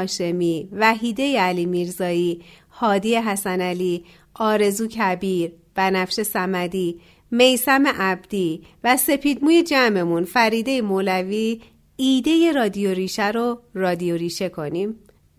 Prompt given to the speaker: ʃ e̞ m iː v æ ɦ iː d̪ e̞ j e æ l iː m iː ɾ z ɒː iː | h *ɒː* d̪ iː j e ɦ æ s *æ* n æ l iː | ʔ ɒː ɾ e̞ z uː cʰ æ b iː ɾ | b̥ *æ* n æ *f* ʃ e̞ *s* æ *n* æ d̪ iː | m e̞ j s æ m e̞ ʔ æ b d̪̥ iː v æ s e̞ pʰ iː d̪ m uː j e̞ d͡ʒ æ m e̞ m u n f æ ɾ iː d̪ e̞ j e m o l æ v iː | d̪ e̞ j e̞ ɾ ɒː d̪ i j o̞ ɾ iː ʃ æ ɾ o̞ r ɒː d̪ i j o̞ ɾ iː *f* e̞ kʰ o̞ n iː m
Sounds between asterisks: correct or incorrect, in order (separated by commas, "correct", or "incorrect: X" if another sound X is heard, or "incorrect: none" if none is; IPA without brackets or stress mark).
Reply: correct, correct, correct, correct, correct, incorrect: m, incorrect: ʃ